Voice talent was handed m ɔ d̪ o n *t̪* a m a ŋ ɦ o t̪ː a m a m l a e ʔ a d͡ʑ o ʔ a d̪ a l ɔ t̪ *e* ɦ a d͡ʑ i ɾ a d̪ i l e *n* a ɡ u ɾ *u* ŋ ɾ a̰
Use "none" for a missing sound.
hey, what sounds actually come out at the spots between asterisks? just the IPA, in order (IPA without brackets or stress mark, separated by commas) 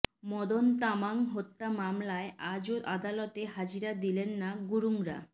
t̪, e, nː, u